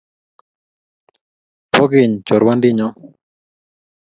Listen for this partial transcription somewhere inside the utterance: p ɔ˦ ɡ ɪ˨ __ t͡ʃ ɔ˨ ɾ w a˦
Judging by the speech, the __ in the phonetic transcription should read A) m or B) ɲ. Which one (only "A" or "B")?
B